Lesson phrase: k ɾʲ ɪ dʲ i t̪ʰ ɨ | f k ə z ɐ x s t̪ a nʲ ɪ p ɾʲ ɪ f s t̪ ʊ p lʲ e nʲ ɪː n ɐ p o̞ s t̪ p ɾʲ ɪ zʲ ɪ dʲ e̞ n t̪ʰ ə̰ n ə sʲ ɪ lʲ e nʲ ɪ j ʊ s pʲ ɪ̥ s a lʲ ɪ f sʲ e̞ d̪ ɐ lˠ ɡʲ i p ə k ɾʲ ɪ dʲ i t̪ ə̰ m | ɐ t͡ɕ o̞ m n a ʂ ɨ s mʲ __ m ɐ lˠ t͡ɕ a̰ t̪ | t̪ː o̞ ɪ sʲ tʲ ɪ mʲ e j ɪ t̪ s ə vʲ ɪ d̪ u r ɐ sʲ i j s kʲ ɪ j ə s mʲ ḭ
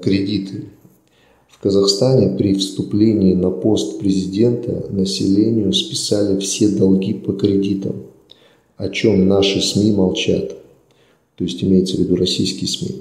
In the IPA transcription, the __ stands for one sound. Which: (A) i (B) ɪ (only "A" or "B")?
A